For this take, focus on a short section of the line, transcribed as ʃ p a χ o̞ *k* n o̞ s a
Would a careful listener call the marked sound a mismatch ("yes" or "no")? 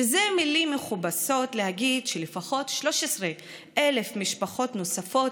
yes